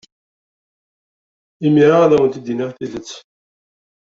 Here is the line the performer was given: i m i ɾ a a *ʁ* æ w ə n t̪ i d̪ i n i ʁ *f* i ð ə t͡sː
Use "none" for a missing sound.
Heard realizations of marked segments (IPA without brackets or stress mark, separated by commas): ð, θ